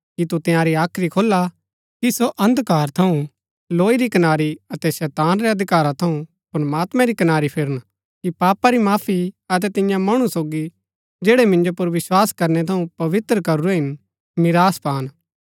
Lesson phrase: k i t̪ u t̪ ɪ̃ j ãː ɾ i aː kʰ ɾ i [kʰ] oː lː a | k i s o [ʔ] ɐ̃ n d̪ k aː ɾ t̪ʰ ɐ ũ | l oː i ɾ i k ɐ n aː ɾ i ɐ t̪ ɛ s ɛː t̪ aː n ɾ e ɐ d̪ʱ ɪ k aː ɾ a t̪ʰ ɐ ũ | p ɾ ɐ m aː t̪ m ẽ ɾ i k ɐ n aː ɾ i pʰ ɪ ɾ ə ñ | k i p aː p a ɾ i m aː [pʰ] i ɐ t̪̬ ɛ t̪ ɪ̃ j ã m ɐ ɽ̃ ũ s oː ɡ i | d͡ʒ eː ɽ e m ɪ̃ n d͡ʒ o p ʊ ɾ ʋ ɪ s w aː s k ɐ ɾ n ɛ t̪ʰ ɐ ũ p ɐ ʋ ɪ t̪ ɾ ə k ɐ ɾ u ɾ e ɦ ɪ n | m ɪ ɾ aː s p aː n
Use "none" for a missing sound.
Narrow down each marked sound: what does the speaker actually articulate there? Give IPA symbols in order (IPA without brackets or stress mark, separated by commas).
kʰ, ʔ, pʰ